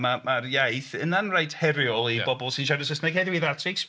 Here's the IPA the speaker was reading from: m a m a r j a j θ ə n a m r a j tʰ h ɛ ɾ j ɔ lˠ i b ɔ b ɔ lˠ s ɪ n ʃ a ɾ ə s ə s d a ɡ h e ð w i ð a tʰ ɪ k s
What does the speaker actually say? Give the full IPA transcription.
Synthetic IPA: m a m a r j a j θ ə n a n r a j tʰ h ɛ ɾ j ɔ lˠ i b ɔ b ɔ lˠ s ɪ n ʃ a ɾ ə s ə s n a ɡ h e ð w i ð a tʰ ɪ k s

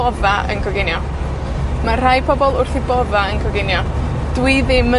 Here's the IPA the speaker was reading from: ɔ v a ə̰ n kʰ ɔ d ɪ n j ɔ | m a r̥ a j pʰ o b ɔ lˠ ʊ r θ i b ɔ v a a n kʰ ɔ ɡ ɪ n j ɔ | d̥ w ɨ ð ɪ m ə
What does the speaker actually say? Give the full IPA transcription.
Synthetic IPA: ɔ v a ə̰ n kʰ ɔ ɡ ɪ n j ɔ | m a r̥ a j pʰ ɔ b ɔ lˠ ʊ r θ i b ɔ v a ə n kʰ ɔ ɡ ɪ n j ɔ | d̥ w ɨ ð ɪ m ə

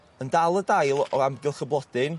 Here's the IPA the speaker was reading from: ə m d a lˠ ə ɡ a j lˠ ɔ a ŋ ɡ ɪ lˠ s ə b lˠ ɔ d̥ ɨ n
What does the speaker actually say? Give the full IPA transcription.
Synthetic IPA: ə n d a lˠ ə d a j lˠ ɔ a m ɡ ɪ lˠ χ ə b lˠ ɔ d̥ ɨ n

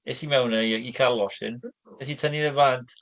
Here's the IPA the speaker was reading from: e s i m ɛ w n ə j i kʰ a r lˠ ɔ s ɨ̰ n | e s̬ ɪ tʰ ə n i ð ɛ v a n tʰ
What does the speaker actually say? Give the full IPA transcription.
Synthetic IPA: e s i m ɛ w n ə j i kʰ a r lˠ ɔ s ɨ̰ n | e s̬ i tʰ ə n i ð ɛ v a n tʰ

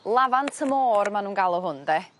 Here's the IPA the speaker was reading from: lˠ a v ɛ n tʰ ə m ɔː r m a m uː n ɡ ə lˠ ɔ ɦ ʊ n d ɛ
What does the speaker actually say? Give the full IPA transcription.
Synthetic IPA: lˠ a v a n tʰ ə m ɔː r m a n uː n ɡ a lˠ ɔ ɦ ʊ n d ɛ

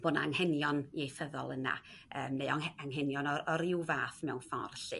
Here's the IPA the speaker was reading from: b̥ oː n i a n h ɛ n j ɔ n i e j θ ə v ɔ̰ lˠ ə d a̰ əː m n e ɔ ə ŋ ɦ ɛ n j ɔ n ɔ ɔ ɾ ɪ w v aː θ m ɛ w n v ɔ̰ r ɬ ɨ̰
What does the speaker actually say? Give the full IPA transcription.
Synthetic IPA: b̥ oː n a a ŋ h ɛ n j ɔ n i e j θ ə ð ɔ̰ lˠ ə n a̰ əː m n e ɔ a ŋ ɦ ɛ n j ɔ n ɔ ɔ ɾ ɪ w v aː θ m ɛ w n f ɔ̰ r ɬ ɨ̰

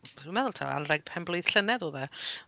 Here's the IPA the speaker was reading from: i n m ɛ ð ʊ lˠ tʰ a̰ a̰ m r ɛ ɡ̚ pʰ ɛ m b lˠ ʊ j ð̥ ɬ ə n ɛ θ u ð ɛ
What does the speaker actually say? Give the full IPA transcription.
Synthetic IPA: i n m ɛ ð ʊ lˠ tʰ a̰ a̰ n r ɛ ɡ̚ pʰ ɛ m b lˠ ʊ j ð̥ ɬ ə n ɛ ð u ð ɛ

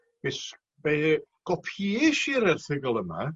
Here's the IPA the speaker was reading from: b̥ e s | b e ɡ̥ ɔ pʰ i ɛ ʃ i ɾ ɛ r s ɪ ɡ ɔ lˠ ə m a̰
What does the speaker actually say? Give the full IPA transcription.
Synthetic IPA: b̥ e s | b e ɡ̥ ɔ pʰ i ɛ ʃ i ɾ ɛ r θ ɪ ɡ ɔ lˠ ə m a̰

